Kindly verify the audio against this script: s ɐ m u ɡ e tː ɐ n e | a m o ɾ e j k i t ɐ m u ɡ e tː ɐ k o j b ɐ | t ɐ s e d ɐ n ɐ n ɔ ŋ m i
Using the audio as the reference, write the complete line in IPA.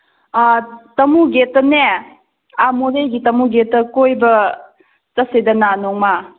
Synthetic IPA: t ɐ m u ɡ e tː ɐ n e | a m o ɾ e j ɡ i t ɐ m u ɡ e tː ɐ k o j b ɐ | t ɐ s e d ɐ n a n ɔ ŋ m a